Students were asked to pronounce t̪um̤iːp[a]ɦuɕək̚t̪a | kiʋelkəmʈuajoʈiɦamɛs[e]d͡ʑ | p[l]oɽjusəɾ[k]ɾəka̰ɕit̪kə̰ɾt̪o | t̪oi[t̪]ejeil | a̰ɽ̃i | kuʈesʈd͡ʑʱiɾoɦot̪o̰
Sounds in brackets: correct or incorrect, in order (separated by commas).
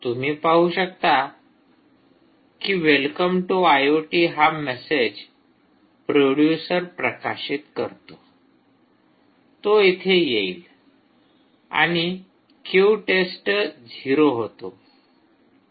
correct, correct, incorrect, incorrect, incorrect